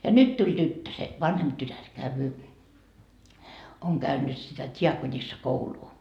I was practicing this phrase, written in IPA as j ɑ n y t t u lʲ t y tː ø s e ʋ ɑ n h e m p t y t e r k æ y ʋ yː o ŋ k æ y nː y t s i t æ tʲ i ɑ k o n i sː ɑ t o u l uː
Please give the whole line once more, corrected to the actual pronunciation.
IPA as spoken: j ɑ n y t t u lʲ t y tː ø s e ʋ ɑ n h e m p t y t æ r k æ y ʋ yː o ŋ k æ y nː y t s i t æ tʲ i ɑ k o n i sː ɑ k o u l uː